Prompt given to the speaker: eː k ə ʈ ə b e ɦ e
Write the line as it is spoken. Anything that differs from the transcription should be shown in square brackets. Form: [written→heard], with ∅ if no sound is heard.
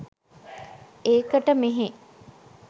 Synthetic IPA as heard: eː k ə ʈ ə [b→m] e ɦ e